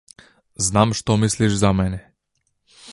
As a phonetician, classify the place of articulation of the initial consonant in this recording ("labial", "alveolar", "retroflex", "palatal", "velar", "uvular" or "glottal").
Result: alveolar